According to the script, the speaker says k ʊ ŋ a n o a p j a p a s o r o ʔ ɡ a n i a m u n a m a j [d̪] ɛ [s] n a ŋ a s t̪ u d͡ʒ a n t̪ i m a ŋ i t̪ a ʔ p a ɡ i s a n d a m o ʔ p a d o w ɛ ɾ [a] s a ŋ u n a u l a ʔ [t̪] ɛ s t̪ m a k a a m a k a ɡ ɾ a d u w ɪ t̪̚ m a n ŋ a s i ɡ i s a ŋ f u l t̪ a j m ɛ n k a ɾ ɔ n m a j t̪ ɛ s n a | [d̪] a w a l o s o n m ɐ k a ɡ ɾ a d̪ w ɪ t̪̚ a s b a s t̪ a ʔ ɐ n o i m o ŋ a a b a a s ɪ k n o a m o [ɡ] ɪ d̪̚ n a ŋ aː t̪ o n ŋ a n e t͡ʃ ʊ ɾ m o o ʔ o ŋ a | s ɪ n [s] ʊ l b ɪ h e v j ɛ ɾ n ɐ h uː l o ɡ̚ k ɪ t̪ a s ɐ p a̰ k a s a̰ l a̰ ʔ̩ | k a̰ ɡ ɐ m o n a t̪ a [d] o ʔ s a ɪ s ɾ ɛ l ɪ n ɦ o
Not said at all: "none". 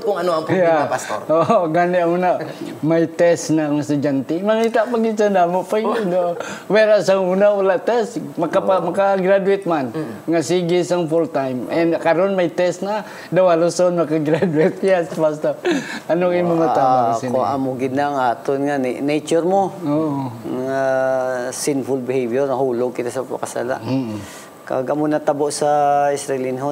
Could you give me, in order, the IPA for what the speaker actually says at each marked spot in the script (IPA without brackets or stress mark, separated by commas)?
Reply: t̪, s, a, t̪, d̪, ɡ, f, b